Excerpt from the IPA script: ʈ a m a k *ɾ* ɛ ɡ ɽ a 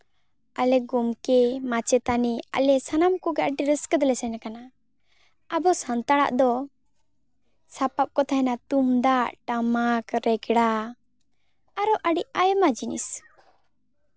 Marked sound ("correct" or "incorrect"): correct